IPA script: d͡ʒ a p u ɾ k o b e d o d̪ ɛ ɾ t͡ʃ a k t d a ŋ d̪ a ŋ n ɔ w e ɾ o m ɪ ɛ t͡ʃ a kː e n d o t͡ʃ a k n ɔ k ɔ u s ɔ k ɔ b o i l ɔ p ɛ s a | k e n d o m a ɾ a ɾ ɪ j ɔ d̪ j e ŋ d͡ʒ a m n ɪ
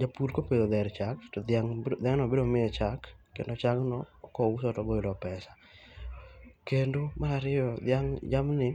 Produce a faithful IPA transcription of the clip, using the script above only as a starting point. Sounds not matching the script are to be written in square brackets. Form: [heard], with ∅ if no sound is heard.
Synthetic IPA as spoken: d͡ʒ a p u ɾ k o [p] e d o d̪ ɛ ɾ t͡ʃ a k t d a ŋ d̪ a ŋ n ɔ [b] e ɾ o m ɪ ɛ t͡ʃ a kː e n d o t͡ʃ a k n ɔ k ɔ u s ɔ [t] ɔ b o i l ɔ p ɛ s a | k e n d o m a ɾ a ɾ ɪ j ɔ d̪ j [a] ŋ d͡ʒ a m n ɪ